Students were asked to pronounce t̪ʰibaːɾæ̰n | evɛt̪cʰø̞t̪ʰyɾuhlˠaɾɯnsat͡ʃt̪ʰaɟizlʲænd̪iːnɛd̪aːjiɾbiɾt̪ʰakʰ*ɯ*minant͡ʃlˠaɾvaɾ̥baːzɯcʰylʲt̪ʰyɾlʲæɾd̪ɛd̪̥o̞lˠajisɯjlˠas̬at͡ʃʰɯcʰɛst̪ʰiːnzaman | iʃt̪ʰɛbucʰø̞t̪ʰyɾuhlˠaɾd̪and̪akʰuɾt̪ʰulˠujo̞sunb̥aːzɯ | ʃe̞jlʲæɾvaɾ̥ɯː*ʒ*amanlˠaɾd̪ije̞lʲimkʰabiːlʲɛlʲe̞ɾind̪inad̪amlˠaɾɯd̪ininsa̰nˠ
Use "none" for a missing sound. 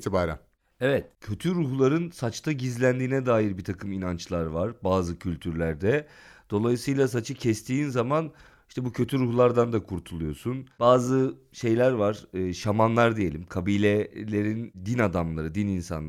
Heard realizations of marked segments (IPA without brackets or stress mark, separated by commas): ɯ, ʃ